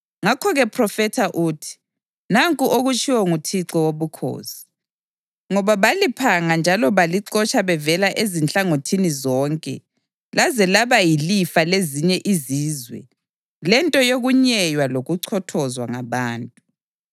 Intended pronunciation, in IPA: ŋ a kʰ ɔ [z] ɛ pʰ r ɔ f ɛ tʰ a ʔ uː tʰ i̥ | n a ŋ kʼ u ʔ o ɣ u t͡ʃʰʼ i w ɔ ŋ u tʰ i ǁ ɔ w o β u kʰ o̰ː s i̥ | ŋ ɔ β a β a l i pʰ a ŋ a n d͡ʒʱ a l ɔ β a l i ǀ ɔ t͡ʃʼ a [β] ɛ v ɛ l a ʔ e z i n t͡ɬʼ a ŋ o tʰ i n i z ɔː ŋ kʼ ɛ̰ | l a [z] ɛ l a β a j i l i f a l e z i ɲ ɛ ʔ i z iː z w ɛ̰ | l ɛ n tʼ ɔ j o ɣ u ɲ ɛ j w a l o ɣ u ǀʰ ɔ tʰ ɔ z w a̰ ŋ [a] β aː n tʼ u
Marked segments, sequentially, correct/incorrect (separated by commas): incorrect, correct, correct, correct